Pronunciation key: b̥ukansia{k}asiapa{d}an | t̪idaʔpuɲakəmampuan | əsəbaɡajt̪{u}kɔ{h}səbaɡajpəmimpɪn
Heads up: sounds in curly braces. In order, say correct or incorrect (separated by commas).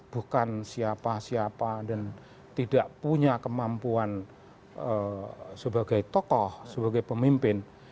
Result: incorrect, correct, incorrect, correct